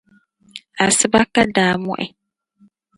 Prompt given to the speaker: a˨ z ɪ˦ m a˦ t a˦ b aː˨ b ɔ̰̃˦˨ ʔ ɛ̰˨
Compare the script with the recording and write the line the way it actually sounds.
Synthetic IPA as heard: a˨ s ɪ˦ b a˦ k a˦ d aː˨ m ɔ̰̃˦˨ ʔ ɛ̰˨